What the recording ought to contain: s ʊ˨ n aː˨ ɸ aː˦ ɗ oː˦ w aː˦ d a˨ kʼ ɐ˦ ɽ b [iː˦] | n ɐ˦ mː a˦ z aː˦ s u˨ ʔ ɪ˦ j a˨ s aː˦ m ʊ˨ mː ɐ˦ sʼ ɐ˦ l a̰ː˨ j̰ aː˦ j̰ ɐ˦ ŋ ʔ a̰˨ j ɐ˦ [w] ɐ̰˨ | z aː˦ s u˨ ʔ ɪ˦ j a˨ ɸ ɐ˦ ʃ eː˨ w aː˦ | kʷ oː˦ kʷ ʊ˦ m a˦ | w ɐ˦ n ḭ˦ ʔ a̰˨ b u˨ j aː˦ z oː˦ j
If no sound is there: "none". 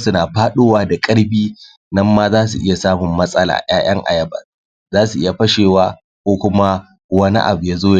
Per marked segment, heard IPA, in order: iː˦, b

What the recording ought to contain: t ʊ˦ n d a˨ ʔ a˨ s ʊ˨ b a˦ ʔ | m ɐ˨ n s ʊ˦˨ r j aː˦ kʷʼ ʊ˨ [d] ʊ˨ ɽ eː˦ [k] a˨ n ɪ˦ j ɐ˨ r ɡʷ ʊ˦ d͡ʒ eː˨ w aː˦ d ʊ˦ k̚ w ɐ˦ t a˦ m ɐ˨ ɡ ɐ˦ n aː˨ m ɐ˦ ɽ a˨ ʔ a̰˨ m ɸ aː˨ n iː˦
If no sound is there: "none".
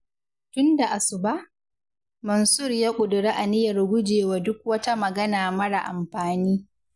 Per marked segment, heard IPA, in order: d, ʔ

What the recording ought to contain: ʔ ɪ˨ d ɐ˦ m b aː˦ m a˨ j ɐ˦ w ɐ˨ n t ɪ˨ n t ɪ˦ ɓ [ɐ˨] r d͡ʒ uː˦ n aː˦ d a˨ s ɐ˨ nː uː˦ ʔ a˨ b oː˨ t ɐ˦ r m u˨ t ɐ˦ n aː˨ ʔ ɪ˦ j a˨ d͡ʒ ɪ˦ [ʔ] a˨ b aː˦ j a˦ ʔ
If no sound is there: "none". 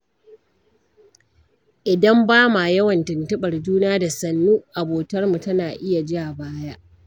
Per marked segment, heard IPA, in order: ɐ˨, ʔ

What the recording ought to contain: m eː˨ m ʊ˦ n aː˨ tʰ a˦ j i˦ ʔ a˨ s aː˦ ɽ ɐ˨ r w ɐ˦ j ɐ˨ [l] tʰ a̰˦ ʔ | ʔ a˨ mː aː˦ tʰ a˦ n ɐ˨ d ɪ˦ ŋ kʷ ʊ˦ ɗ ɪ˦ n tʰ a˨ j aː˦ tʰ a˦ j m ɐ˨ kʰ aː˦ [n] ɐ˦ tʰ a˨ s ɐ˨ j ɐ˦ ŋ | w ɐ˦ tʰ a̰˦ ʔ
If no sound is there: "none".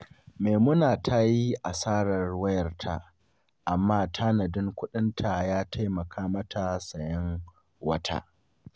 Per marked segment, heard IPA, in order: r, m

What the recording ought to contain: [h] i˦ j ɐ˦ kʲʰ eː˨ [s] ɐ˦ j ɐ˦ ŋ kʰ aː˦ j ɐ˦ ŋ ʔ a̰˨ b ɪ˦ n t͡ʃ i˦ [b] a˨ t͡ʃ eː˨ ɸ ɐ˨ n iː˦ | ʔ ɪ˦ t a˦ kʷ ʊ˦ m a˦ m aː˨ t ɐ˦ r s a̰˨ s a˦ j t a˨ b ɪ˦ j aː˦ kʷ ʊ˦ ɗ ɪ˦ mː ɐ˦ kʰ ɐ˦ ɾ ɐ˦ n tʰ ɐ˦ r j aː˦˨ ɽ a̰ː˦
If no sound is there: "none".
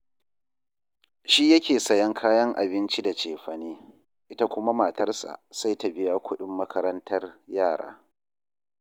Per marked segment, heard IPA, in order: ʃ, s, d

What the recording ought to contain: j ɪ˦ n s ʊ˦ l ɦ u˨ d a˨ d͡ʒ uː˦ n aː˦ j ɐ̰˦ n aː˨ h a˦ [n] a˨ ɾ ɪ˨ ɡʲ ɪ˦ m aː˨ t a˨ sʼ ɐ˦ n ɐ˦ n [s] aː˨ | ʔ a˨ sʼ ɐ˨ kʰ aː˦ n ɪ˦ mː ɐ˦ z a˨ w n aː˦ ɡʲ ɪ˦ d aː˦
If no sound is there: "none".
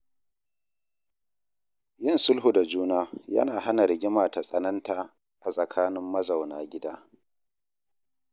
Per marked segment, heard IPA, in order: n, t

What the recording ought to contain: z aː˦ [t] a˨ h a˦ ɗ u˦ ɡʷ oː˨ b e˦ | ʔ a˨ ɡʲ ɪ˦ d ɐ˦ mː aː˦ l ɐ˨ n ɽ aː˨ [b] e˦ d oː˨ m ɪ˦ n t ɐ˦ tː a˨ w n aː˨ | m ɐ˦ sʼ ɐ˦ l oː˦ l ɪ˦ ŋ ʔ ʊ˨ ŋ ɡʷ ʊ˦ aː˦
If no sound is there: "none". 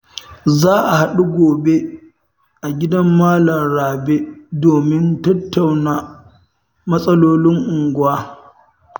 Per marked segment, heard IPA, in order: ʔ, b

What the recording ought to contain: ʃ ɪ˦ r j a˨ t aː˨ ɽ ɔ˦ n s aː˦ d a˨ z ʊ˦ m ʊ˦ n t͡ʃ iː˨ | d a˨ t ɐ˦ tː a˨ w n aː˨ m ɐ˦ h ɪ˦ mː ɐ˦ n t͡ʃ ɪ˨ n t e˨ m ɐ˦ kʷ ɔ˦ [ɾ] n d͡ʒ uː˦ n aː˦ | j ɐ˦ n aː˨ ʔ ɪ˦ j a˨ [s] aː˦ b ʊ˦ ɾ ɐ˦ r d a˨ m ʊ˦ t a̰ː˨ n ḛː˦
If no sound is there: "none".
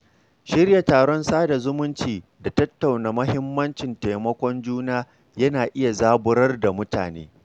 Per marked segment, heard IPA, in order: none, z

